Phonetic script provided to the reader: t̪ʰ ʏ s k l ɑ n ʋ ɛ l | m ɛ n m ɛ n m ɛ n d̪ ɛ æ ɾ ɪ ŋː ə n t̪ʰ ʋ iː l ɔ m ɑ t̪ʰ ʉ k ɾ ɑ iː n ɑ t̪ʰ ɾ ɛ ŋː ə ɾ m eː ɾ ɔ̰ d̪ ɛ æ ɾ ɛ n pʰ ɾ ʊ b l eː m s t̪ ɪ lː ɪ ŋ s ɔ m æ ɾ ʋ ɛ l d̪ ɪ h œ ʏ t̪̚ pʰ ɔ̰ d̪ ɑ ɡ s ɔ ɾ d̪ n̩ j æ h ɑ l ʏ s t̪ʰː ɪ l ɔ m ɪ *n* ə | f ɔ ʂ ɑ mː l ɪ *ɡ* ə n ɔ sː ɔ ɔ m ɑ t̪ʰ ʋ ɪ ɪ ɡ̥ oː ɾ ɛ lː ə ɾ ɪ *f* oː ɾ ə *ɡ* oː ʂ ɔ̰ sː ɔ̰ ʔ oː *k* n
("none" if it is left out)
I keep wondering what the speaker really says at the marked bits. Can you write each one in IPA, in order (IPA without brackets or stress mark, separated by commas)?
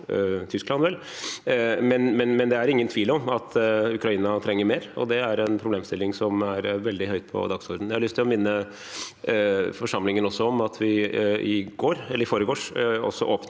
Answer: nː, ŋ, f, ɡ, p